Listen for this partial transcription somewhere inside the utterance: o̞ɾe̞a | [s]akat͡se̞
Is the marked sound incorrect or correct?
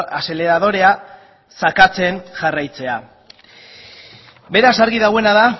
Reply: correct